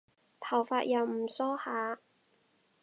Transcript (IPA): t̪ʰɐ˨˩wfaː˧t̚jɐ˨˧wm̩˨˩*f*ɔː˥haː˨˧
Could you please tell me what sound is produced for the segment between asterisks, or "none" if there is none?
s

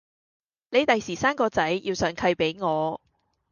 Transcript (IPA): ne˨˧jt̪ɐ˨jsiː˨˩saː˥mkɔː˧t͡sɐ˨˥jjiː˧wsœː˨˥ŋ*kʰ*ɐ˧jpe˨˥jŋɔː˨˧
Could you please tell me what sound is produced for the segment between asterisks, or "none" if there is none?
kʰ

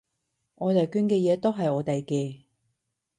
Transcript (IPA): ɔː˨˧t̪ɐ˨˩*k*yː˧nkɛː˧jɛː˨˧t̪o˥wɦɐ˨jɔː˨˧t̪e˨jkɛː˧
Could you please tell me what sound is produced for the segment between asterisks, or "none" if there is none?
k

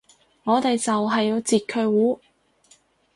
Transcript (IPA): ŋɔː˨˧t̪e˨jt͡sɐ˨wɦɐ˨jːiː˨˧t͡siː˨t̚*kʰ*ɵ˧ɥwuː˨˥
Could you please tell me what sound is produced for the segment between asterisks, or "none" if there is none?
kʰ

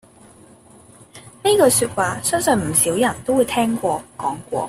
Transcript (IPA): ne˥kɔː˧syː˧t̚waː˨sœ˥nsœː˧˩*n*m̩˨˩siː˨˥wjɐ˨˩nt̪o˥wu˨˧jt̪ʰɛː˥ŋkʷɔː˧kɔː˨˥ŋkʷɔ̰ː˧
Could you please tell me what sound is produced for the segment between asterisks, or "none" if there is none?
n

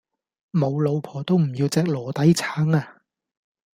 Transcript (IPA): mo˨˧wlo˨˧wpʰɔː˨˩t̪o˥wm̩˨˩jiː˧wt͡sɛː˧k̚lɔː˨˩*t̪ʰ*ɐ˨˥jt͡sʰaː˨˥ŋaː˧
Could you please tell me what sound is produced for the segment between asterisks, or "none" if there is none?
t̪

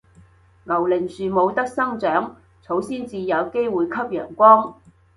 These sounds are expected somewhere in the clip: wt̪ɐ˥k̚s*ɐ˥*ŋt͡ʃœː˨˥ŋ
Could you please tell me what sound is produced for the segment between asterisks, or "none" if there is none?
ɐ˥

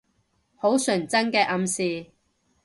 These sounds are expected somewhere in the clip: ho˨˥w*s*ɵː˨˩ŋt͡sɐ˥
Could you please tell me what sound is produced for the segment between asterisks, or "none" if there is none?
s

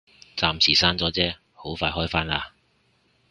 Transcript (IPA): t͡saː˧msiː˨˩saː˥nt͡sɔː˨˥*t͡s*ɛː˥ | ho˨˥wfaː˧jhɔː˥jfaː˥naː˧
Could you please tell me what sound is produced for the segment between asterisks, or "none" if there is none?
t͡s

